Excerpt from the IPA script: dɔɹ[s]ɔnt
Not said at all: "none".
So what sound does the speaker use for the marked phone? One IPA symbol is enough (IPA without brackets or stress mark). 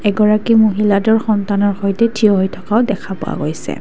x